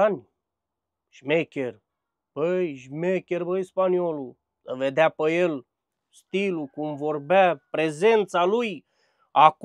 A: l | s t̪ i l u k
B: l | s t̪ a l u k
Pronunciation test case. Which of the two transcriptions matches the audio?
A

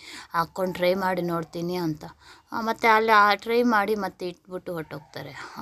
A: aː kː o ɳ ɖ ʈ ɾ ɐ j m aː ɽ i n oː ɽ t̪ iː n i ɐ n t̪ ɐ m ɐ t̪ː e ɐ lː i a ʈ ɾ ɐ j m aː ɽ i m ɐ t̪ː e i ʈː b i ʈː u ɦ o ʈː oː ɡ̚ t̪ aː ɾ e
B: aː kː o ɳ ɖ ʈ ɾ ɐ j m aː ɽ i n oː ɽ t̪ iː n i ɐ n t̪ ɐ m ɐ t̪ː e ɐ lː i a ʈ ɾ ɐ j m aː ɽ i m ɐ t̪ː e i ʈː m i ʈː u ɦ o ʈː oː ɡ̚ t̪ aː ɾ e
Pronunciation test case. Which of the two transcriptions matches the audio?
A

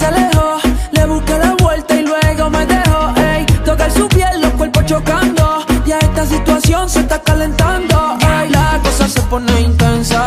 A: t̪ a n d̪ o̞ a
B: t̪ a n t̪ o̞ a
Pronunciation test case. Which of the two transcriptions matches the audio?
A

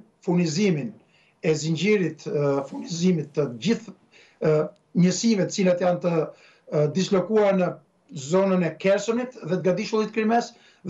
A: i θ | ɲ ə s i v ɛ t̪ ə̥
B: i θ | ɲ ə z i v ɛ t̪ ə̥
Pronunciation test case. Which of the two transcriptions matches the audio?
A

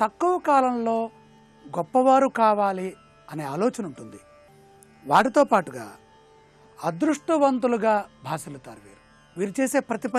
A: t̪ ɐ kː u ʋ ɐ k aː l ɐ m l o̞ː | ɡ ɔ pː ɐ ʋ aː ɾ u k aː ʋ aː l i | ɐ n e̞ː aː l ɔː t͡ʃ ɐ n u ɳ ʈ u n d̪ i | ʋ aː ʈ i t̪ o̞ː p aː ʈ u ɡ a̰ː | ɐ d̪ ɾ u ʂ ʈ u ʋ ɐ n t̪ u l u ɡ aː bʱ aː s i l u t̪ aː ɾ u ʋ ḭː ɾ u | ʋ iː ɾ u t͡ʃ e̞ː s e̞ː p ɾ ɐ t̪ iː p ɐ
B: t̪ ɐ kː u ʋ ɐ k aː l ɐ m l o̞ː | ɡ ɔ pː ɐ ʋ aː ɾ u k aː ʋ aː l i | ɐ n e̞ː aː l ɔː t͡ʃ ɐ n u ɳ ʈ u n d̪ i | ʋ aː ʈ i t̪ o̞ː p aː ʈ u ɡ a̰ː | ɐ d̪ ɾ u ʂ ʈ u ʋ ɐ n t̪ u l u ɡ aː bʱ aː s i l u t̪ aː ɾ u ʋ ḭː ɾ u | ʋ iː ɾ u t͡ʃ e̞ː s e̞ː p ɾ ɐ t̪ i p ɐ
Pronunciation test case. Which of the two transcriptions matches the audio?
B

